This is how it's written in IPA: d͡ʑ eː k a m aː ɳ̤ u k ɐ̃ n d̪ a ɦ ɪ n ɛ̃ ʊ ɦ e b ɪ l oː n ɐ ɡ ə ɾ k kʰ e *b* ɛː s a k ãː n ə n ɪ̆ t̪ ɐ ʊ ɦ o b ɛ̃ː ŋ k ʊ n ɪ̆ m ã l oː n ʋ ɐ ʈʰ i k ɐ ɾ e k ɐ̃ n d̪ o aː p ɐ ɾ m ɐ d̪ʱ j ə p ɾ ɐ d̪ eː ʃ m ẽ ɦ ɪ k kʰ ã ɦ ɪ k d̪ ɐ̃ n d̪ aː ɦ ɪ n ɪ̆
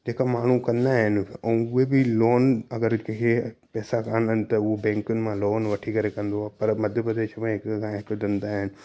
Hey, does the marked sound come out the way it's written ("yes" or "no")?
no